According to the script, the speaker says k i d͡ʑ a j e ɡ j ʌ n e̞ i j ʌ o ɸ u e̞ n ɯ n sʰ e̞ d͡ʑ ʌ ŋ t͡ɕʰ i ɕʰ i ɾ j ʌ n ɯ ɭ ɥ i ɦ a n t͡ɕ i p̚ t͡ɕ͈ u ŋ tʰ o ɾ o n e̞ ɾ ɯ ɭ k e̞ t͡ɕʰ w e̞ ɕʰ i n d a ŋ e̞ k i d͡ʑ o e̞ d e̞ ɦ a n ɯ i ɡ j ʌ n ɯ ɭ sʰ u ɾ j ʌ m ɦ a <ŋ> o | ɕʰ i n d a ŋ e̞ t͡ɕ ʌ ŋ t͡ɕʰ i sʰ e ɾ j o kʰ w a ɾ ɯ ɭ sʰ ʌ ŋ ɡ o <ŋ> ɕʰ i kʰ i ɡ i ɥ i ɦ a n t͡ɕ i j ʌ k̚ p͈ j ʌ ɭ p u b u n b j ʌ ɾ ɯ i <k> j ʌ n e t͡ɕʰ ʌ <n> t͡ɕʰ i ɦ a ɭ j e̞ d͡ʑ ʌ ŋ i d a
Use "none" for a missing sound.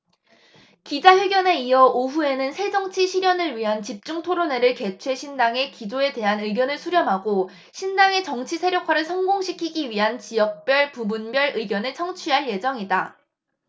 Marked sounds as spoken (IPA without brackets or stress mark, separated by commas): ɡ, ŋ, ɡ, ŋ